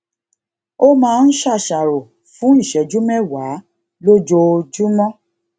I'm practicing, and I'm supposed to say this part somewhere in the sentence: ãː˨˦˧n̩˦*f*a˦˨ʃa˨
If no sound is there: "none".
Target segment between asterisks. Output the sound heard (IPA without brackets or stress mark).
ʃ